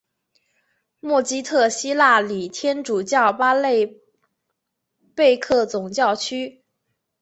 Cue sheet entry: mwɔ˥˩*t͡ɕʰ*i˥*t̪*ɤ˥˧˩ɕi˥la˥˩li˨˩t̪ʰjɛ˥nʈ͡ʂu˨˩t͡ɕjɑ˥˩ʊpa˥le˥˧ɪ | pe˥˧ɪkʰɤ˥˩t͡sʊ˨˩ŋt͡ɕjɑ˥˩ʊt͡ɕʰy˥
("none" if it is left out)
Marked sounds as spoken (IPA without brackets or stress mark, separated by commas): t͡ɕ, t̪ʰ